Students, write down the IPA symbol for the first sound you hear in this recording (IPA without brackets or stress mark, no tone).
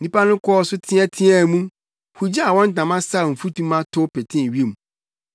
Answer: n